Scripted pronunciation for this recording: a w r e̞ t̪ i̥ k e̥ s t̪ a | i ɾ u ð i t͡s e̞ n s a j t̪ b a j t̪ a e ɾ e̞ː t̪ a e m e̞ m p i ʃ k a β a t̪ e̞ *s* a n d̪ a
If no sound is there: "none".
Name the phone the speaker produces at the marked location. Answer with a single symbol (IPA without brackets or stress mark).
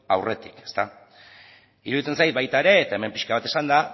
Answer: s